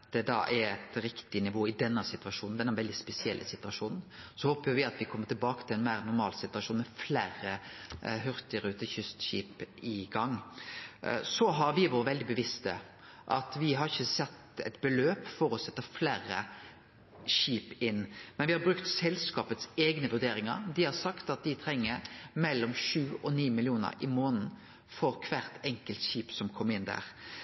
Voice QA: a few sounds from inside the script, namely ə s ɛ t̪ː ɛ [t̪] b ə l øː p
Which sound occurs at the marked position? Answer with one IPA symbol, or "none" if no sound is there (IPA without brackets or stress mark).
t̪